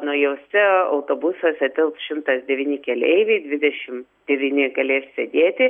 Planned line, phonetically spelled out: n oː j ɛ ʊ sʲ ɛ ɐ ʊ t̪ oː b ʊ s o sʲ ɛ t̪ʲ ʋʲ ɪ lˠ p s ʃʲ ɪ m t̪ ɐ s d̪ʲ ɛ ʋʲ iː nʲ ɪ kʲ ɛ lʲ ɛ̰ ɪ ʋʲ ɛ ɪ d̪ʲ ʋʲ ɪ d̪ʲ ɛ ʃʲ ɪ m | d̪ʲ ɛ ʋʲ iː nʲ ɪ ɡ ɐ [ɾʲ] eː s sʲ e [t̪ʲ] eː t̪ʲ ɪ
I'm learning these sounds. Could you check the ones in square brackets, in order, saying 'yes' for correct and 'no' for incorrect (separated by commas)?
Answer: no, no